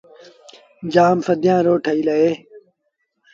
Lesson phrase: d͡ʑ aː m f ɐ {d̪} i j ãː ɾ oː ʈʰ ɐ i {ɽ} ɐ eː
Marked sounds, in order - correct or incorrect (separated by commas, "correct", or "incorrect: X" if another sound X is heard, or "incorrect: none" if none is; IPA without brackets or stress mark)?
correct, incorrect: l